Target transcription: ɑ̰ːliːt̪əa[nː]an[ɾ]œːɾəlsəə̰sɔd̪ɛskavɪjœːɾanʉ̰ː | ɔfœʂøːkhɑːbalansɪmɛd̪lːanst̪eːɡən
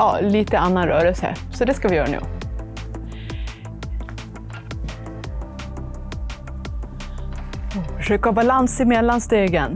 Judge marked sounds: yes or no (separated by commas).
yes, yes